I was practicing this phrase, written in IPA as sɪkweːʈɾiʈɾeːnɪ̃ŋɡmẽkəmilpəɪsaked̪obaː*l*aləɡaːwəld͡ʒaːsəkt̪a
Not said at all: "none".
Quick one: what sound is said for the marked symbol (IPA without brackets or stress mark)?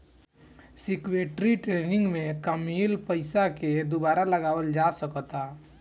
ɾ